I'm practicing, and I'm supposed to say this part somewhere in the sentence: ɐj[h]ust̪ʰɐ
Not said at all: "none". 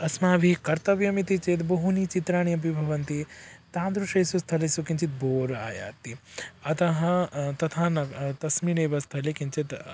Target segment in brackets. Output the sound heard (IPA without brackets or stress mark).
s